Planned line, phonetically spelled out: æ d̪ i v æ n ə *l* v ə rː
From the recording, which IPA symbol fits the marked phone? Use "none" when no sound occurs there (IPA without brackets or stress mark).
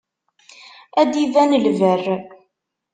l